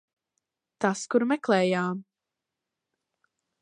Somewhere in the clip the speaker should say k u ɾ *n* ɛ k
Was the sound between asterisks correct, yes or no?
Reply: no